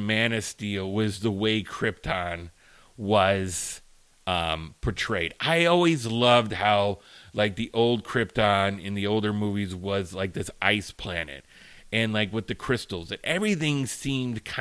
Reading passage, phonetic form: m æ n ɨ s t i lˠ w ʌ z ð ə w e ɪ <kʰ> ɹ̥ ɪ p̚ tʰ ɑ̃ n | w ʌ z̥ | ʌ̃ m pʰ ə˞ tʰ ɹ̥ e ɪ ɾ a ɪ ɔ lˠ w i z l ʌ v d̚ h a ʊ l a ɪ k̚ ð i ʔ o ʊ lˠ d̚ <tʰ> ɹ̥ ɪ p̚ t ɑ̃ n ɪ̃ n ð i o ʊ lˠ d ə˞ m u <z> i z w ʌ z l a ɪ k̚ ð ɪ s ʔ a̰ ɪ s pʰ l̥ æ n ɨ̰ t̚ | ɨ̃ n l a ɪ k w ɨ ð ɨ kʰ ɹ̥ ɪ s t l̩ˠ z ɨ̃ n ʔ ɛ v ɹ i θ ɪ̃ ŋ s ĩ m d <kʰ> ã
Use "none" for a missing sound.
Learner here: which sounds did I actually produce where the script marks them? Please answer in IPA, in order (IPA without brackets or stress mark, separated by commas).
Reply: kʰ, kʰ, v, kʰ